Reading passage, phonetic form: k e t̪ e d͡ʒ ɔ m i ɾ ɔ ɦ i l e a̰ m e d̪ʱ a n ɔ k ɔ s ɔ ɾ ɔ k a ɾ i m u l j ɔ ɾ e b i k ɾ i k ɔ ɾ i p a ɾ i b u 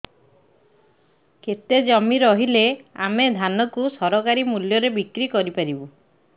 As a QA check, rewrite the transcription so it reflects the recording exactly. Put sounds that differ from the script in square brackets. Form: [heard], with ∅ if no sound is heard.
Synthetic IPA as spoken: k e t̪ e d͡ʒ ɔ m i ɾ ɔ ɦ i l e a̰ m e d̪ʱ a n ɔ k [u] s ɔ ɾ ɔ k a ɾ i m u l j ɔ ɾ e b i k ɾ i k ɔ ɾ i p a ɾ i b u